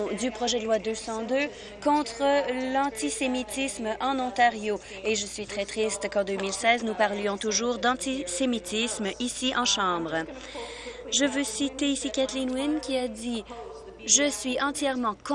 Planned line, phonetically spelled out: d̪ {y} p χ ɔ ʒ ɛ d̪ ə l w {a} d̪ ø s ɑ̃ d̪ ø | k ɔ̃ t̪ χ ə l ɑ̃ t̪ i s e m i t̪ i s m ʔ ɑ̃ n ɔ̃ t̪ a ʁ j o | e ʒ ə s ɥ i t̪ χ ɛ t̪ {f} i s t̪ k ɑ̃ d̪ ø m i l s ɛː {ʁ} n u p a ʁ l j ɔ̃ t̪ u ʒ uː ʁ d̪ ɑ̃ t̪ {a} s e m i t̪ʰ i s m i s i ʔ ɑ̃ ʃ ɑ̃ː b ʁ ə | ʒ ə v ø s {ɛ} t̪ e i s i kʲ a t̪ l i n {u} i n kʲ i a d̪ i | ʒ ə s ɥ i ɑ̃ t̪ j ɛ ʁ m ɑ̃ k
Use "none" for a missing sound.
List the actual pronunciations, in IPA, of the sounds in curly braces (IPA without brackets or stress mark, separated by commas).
y, a, χ, z, i, i, w